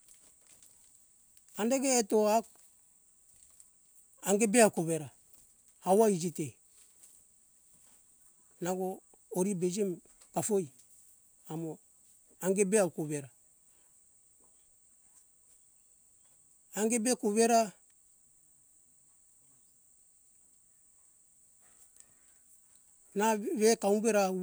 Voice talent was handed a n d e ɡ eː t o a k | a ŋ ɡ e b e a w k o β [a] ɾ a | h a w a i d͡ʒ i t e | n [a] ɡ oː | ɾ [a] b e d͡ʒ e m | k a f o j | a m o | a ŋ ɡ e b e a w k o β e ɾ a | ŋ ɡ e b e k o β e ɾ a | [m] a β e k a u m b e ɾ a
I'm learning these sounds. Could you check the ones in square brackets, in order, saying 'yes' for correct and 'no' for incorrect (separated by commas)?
no, yes, no, no